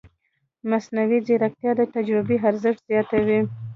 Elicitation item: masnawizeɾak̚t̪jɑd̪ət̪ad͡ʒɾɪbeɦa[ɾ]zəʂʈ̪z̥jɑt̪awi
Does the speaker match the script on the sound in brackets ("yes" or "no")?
yes